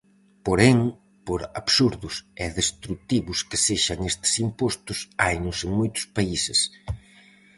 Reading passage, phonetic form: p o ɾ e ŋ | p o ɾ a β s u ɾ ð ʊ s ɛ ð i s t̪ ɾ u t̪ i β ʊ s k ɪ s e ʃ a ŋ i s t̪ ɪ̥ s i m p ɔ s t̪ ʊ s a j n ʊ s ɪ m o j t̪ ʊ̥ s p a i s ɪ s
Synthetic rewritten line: p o ɾ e ŋ | p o ɾ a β s u ɾ ð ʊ s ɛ ð e s t̪ ɾ u t̪ i β ʊ s k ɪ s e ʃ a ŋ e s t̪ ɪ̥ s i m p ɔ s t̪ ʊ s a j n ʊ s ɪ m o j t̪ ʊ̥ s p a i s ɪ s